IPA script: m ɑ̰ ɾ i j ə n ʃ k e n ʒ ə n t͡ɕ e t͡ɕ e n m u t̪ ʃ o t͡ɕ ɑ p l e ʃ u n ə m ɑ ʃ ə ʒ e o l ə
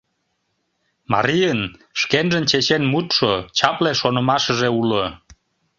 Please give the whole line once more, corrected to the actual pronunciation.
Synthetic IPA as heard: m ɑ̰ ɾ i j ə n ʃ k e n ʒ ə n t͡ɕ e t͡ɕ e n m u t̪ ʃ o t͡ɕ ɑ p l e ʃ o n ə m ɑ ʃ ə ʒ e u l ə